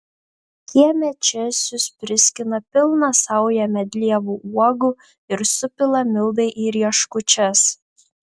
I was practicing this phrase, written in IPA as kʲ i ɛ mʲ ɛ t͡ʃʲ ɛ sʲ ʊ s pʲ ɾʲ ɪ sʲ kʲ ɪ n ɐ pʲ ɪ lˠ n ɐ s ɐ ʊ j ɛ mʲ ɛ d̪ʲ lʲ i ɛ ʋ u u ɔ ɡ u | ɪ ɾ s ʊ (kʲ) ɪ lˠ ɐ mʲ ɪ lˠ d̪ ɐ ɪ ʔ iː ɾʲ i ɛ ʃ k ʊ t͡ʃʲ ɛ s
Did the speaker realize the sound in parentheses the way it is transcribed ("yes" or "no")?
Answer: no